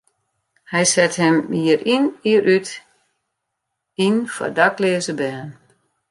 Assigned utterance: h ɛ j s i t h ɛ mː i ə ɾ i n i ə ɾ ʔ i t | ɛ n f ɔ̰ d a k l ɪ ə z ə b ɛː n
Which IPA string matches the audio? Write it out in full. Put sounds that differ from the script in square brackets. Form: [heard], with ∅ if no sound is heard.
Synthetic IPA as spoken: h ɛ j s [ɛ] t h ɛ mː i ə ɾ i n i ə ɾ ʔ [y] t | [i] n f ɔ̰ d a k l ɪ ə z ə b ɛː n